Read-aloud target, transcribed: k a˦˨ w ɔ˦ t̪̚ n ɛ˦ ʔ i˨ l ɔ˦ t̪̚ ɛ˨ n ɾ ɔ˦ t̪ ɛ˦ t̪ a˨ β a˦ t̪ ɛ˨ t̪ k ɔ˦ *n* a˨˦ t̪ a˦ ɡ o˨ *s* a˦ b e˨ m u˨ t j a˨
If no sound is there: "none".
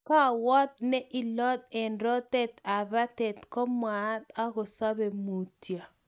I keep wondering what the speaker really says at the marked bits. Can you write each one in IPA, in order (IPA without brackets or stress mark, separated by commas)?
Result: m, s